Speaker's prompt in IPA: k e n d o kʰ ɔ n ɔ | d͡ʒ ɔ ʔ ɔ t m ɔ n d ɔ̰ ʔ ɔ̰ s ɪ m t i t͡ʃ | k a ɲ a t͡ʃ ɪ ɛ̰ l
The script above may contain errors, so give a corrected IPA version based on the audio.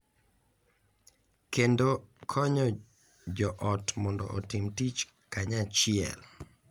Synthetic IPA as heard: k e n d o kʰ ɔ ɲ ɔ | d͡ʒ ɔ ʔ ɔ t m ɔ n d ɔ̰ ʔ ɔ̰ t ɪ m t i t͡ʃ | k a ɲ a t͡ʃ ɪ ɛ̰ l